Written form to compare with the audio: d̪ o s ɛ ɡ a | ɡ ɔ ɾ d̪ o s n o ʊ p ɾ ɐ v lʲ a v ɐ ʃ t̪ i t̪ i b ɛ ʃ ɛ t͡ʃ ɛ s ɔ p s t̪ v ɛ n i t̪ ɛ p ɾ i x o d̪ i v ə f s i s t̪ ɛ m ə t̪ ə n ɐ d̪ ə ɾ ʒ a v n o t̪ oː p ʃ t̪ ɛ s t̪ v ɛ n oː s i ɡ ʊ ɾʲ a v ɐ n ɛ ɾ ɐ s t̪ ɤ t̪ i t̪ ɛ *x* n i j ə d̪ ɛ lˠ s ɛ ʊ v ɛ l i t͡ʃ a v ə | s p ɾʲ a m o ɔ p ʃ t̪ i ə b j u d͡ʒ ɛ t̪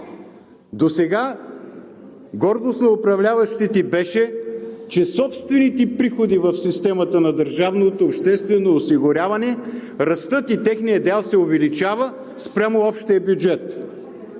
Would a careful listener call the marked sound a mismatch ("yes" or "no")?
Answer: no